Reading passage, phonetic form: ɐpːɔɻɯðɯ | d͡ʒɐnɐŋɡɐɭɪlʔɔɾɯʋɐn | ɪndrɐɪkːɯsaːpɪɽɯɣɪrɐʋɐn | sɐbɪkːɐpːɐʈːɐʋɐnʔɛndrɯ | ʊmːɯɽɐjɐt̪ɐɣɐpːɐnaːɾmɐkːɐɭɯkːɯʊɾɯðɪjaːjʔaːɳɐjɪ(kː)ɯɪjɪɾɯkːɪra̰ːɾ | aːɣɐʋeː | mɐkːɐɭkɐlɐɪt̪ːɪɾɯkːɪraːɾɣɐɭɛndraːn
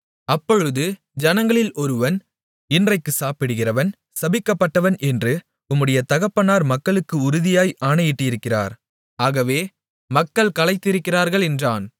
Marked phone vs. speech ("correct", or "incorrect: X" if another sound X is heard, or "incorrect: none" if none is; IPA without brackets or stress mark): incorrect: ʈː